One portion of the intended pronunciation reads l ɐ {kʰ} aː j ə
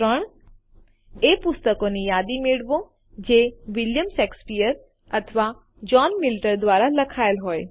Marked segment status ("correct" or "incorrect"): correct